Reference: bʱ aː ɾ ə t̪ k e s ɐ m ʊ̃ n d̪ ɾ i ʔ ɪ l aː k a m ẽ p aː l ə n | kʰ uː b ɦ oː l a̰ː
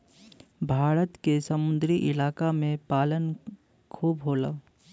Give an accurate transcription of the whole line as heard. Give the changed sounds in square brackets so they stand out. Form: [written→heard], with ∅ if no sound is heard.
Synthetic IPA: bʱ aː ɾ ə t̪ k e s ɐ m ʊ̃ n d̪ ɾ i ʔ ɪ l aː k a m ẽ p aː l ə n | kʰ uː b ɦ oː l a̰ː